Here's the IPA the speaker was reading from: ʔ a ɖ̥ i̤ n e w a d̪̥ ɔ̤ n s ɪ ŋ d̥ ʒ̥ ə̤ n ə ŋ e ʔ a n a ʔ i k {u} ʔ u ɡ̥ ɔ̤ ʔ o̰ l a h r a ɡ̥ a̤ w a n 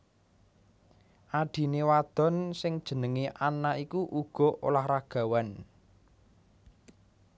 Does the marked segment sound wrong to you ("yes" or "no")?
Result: no